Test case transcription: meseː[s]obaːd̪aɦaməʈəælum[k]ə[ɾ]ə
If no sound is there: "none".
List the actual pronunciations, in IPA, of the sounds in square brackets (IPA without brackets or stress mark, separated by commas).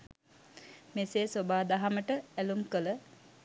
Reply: s, k, l